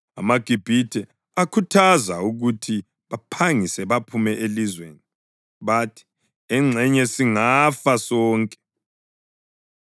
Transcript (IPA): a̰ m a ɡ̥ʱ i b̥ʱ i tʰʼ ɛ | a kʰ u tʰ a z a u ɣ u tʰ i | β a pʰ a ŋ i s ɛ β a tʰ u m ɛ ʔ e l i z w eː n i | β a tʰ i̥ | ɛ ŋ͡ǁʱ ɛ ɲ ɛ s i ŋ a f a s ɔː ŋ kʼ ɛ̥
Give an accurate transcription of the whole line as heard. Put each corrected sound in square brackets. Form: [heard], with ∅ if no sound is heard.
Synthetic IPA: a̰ m a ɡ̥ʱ i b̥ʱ i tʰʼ ɛ | a kʰ u tʰ a z a u ɣ u tʰ i | β a pʰ a ŋ i s ɛ β a [pʰ] u m ɛ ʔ e l i z w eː n i | β a tʰ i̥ | ɛ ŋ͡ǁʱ ɛ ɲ ɛ s i ŋ a f a s ɔː ŋ kʼ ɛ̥